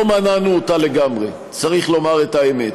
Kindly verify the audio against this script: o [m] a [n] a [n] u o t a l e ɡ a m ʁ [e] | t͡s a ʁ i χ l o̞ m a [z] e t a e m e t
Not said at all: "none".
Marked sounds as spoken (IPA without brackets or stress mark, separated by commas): m, n, n, e, ʁ